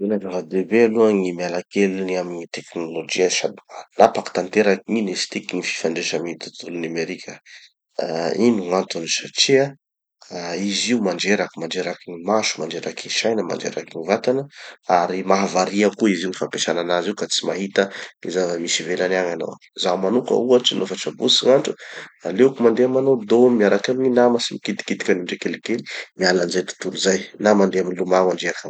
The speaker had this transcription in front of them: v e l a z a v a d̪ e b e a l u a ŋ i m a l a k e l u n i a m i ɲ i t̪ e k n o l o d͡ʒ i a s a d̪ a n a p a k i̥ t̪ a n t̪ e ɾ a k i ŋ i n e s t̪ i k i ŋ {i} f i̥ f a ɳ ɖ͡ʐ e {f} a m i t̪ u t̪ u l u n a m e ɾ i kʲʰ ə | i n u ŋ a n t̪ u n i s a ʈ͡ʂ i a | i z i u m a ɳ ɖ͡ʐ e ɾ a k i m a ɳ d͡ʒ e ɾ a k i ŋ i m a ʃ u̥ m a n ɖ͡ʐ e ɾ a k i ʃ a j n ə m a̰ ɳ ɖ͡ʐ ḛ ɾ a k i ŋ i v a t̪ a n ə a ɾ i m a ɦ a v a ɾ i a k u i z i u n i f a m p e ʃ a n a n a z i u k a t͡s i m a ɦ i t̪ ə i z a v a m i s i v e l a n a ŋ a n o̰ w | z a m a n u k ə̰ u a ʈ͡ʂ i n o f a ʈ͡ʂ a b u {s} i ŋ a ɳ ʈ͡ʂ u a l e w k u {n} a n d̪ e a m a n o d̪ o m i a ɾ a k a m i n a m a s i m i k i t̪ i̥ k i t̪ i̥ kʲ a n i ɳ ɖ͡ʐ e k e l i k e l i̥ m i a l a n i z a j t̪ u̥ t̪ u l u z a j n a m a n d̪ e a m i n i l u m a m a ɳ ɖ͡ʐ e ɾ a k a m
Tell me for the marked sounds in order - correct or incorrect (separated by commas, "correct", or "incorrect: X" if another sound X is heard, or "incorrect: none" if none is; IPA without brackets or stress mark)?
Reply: correct, incorrect: ʃ, correct, incorrect: m